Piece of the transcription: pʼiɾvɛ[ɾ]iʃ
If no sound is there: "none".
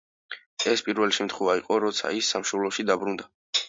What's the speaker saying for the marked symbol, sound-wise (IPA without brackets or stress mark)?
l